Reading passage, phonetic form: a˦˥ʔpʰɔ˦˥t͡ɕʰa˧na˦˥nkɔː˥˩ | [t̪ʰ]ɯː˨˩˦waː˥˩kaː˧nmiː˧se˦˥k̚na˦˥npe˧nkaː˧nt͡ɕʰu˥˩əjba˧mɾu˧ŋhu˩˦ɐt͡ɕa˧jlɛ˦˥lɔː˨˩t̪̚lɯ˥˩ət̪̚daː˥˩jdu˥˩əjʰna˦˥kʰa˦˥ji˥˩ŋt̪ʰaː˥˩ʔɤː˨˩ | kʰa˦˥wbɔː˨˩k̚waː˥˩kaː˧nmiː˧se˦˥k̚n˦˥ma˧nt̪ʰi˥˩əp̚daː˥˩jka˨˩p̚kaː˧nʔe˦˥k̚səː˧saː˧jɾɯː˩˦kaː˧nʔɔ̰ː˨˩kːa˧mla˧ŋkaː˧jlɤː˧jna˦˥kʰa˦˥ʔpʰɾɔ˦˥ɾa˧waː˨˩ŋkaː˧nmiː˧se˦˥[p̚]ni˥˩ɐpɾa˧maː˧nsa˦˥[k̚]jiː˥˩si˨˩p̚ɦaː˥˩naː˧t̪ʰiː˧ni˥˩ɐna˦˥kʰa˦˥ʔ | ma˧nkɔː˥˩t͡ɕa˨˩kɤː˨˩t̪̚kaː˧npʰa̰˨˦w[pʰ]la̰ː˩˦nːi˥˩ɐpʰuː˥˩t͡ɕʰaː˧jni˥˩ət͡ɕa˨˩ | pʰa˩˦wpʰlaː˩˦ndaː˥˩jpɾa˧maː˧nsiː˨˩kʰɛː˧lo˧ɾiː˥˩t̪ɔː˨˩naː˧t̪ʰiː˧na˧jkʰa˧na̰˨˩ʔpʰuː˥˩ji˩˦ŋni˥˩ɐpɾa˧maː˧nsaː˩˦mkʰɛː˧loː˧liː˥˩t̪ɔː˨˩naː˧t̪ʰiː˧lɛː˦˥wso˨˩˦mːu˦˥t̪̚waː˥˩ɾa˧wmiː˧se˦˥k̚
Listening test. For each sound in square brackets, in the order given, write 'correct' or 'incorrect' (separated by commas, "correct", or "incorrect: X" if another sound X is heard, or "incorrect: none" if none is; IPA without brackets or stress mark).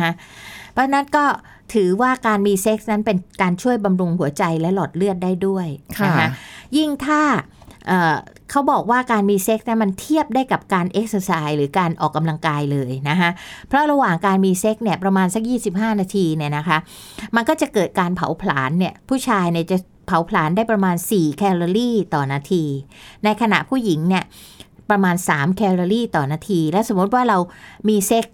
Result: correct, incorrect: k̚, correct, correct